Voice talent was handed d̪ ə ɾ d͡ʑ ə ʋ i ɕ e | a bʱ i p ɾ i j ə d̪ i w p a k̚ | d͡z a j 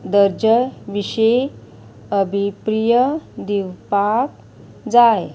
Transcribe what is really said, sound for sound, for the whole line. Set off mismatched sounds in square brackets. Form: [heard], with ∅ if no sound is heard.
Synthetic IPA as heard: d̪ ə ɾ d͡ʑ ə ʋ i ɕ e | [ə] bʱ i p ɾ i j ə d̪ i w p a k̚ | d͡z a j